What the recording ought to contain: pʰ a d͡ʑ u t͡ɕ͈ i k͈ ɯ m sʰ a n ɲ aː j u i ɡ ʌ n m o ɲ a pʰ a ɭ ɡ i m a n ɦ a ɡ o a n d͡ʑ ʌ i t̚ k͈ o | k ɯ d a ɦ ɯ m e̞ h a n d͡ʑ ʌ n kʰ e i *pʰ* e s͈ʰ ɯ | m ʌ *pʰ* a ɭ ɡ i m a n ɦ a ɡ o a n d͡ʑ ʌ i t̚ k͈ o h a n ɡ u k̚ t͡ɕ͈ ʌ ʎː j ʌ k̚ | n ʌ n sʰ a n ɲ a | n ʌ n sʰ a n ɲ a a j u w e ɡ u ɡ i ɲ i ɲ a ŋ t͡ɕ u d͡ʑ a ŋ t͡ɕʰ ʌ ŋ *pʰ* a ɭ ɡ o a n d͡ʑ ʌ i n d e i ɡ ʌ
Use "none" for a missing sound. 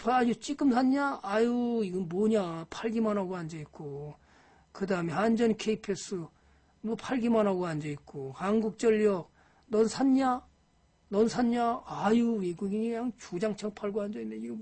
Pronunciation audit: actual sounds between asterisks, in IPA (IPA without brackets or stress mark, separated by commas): pʰ, pʰ, pʰ